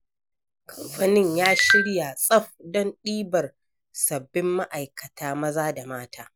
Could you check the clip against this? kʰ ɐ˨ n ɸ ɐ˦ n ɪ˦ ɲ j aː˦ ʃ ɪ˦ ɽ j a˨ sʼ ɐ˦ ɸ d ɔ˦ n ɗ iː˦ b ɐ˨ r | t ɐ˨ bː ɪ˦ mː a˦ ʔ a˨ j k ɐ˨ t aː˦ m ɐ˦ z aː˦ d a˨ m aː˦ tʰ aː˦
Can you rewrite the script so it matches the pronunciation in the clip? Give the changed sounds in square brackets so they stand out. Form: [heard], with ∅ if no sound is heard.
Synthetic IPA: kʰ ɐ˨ [m] ɸ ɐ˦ n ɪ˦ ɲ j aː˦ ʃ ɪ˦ ɽ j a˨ sʼ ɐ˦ ɸ d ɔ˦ n ɗ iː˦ b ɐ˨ r | [s] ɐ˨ bː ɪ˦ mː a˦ ʔ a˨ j k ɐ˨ t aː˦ m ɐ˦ z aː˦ d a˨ m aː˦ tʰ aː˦